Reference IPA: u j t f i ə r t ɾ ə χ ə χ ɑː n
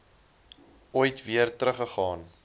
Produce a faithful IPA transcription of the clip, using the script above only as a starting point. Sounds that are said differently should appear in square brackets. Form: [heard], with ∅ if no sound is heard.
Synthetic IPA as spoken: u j t [v] i ə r t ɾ ə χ ə χ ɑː n